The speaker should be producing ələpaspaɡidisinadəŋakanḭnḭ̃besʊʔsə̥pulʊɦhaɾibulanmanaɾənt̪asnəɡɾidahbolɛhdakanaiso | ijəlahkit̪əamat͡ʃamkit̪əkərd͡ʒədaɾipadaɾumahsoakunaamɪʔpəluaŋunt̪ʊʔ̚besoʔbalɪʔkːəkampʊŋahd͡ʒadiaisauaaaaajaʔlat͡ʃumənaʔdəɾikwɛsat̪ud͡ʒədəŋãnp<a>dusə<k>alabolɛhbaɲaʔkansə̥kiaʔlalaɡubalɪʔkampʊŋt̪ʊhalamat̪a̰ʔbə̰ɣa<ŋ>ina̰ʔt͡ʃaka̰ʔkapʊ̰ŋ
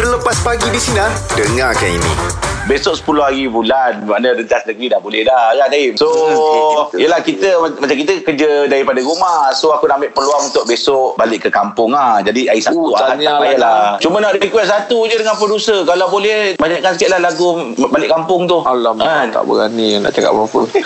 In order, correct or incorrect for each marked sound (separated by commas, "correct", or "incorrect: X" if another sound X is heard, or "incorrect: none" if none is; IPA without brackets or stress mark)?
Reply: incorrect: ə, correct, incorrect: n